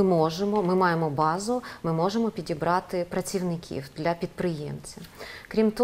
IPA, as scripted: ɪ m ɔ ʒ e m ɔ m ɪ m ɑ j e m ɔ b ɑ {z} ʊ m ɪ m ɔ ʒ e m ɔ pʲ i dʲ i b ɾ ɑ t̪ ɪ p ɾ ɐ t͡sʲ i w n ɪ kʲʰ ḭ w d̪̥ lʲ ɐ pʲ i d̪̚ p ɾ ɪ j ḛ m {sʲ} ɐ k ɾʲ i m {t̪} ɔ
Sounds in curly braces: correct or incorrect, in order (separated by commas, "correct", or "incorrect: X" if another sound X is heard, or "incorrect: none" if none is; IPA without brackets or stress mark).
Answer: correct, incorrect: t͡sʲ, correct